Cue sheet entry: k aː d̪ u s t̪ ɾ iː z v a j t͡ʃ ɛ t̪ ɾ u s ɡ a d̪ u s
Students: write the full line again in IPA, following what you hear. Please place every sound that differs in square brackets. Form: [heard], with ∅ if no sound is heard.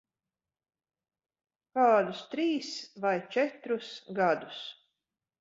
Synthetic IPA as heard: k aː d̪ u s t̪ ɾ iː [s] v a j t͡ʃ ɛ t̪ ɾ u s ɡ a d̪ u s